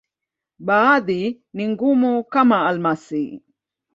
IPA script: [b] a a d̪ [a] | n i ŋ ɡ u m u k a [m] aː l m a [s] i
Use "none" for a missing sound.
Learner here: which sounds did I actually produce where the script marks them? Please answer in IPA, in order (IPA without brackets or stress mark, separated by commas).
b, i, m, s